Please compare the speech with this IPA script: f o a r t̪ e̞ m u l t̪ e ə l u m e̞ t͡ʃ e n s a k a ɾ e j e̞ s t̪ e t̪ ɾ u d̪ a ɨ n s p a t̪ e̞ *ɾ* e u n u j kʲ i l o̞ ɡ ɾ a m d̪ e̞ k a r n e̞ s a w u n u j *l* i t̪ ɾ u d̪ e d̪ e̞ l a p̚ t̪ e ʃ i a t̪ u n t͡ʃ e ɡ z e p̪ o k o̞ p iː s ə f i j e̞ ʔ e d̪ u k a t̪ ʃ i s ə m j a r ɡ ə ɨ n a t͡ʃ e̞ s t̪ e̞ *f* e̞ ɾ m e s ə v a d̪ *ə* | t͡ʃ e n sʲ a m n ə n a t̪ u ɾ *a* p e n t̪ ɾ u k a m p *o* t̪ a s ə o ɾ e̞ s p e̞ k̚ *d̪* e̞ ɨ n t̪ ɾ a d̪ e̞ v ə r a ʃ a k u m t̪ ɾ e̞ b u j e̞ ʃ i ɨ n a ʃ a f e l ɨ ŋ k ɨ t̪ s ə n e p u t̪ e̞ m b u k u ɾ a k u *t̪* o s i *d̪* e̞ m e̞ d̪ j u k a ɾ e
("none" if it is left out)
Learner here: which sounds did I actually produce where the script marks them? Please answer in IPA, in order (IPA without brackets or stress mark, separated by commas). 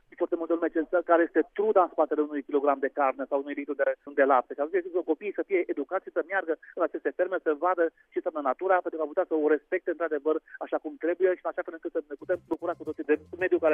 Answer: l, l, f, ə, a, u, t̪, t̪, d̪